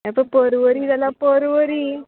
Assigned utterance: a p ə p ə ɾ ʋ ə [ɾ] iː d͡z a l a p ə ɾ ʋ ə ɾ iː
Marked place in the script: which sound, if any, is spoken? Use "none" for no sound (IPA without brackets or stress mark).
ɾ